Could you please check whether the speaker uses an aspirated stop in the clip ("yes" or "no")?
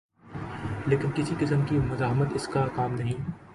no